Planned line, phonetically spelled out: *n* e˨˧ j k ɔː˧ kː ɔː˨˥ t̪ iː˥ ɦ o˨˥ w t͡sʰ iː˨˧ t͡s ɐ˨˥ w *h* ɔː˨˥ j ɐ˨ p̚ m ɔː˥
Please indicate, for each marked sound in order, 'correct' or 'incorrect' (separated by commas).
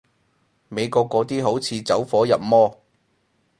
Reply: incorrect, incorrect